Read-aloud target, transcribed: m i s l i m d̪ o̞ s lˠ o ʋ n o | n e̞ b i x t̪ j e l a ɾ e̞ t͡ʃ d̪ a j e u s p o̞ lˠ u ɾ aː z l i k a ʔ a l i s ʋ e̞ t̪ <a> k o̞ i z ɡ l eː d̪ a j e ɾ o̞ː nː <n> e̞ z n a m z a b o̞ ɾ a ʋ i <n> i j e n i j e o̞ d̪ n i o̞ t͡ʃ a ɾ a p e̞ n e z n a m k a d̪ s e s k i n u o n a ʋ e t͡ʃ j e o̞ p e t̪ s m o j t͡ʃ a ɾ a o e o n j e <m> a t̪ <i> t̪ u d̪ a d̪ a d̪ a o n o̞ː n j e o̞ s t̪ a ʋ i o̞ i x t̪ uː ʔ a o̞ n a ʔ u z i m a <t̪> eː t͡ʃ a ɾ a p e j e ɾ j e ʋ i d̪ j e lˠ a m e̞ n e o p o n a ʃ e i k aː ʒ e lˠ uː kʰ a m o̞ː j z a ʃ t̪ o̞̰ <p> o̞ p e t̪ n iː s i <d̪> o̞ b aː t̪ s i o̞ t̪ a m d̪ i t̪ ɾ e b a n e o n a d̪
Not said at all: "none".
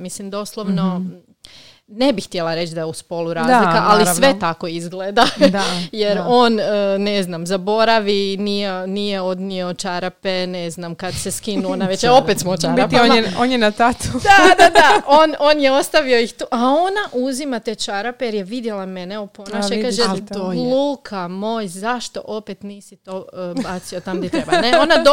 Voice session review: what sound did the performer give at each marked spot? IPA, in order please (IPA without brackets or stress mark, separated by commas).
a, n, n, n, a, t̪, ʔ, t̪